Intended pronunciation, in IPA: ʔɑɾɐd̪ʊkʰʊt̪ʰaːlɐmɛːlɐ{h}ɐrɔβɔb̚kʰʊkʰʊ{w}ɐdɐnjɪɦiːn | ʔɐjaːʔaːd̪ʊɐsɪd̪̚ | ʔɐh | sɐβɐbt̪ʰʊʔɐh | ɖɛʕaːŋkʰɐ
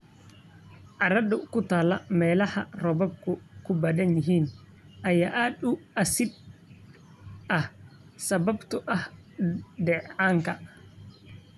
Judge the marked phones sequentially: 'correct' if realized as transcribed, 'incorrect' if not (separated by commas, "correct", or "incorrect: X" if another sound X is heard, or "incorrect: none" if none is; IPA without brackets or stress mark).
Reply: correct, incorrect: b